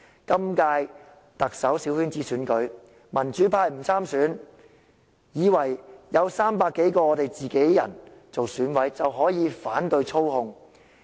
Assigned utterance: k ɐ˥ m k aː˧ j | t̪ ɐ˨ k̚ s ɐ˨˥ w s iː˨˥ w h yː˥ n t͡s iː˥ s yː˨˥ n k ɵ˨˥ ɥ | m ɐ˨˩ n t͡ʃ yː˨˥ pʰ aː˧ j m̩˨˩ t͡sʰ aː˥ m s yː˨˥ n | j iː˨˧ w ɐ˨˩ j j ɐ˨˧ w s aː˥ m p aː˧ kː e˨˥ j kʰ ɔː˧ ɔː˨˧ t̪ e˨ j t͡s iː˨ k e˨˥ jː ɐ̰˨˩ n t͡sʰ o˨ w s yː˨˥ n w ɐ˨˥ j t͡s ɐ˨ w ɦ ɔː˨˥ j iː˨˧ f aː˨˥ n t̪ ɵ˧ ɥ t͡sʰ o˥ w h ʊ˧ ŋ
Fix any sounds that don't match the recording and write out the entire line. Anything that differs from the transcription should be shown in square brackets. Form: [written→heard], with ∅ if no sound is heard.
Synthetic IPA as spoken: k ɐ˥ m k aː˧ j | t̪ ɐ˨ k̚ s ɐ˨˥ w s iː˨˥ w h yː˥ n t͡s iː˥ s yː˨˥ n k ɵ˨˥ ɥ | m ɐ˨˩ n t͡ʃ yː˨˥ pʰ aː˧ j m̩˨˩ t͡sʰ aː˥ m s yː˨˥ n | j iː˨˧ w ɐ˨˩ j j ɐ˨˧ w s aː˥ m p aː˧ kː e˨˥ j [kʰ→k] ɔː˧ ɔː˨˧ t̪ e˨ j t͡s iː˨ k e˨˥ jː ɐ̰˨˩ n [t͡sʰ→t͡s] o˨ w s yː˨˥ n w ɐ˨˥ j t͡s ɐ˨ w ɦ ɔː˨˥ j iː˨˧ f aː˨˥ n t̪ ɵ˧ ɥ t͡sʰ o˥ w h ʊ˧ ŋ